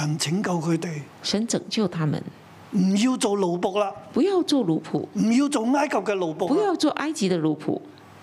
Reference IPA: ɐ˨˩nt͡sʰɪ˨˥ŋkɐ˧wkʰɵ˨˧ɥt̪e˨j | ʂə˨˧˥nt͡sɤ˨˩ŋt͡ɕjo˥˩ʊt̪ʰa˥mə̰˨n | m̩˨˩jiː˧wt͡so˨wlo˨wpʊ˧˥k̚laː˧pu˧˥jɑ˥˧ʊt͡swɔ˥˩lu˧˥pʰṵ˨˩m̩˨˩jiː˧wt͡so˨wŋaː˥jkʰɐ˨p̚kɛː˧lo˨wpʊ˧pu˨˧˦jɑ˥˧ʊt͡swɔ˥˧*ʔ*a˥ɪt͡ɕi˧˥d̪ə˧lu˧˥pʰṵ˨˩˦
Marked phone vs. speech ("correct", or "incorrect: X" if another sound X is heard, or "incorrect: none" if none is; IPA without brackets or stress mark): correct